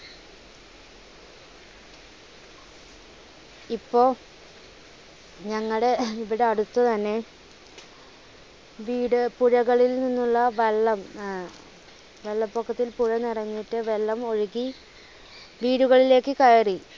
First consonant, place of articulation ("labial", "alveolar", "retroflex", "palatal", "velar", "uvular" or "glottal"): labial